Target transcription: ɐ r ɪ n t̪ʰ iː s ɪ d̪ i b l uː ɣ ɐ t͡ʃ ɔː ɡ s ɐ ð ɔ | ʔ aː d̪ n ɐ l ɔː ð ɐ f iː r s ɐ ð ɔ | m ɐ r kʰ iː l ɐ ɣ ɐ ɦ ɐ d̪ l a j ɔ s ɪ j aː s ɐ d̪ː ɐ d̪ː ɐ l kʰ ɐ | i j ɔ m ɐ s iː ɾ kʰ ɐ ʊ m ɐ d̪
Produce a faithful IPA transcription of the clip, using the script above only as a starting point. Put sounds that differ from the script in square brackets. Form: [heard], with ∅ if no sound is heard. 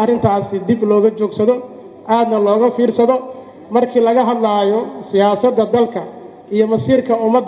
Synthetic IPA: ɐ r ɪ n t̪ʰ [aː] s ɪ d̪ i b l [ɔː] ɣ ɐ t͡ʃ ɔː ɡ s ɐ ð ɔ | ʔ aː d̪ n ɐ l ɔː [ɣ] ɐ f iː r s ɐ ð ɔ | m ɐ r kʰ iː l ɐ ɣ ɐ ɦ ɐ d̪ l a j ɔ s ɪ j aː s ɐ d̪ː ɐ [d̪] ɐ l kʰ ɐ | i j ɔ m ɐ s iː [r] kʰ ɐ ʊ m ɐ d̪